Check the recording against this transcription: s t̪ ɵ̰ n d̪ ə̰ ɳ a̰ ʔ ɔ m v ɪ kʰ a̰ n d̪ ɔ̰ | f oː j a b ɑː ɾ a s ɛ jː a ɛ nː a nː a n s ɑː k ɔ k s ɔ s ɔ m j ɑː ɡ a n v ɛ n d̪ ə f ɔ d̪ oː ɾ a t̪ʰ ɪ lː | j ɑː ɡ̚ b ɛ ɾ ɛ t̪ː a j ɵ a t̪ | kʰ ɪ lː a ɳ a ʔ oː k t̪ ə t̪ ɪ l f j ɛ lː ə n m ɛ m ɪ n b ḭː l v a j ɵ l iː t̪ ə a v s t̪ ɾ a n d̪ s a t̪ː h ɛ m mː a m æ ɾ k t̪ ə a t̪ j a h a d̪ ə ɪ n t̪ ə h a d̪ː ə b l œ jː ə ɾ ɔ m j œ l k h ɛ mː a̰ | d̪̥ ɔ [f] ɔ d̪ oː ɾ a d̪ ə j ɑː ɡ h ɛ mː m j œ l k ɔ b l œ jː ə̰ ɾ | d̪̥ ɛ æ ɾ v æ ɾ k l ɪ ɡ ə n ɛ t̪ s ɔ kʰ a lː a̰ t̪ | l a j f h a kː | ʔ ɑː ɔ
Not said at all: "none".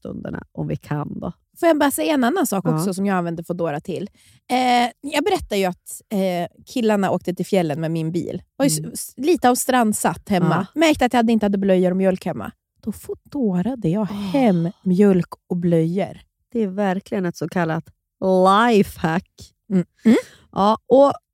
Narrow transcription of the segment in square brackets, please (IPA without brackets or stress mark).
f